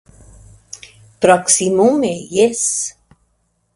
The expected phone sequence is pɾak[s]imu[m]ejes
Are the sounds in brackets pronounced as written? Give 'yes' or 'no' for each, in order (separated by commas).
yes, yes